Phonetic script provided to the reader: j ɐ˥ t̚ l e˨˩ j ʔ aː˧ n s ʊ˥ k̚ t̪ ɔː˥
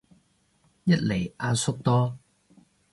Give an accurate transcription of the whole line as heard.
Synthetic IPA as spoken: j ɐ˥ t̚ l e˨˩ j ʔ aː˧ n s ʊ˥ k̚ t̪ ɔː˥